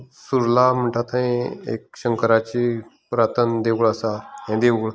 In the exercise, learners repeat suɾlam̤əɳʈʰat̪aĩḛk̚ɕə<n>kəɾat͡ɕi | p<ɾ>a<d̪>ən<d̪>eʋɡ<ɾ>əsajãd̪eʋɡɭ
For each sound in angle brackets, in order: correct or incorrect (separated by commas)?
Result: incorrect, correct, incorrect, correct, incorrect